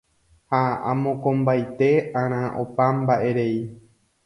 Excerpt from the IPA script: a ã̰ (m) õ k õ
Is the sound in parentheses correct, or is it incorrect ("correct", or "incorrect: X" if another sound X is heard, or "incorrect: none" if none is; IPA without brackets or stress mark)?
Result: correct